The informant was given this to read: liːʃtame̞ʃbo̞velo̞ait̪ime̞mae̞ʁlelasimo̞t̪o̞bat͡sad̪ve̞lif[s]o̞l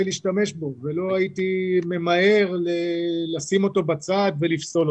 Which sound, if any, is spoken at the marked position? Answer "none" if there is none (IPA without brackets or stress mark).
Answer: s